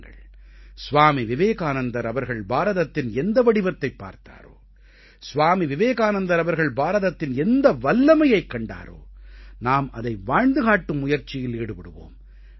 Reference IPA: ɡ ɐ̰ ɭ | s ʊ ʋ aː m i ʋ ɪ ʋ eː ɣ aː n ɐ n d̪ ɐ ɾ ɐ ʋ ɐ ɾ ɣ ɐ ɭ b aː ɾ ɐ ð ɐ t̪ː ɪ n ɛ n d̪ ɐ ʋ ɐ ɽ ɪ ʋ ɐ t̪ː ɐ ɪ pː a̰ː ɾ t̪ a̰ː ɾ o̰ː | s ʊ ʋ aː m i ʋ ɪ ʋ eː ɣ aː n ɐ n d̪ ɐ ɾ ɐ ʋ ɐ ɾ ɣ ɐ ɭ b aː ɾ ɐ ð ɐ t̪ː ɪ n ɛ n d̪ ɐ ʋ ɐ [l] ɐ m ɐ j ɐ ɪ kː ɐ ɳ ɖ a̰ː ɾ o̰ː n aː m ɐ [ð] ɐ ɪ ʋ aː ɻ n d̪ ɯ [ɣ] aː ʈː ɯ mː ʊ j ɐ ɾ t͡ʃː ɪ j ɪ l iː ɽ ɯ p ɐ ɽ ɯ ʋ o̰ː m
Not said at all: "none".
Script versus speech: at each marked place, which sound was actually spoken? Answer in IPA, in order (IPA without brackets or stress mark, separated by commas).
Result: lː, ð, ɣ